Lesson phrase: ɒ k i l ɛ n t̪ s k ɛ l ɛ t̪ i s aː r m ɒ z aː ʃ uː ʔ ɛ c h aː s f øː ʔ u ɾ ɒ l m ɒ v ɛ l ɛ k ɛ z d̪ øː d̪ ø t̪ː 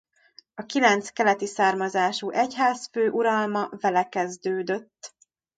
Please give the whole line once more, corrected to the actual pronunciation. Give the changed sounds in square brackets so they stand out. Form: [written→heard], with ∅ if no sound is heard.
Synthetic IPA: ɒ k i l ɛ n t̪ s k ɛ l ɛ t̪ i s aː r m ɒ z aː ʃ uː ʔ ɛ c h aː s f øː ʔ u ɾ ɒ l m ɒ v ɛ l ɛ k ɛ z d̪ øː d̪ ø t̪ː